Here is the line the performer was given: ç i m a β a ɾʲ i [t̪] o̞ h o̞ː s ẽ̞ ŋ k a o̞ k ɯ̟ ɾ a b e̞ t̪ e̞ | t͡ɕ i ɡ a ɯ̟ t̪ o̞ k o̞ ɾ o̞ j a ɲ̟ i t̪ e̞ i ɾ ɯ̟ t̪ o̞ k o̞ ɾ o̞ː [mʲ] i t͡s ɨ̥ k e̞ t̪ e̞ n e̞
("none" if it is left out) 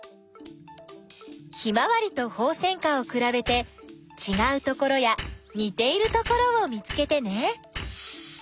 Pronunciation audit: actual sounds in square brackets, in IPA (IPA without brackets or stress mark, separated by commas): t̪, mʲ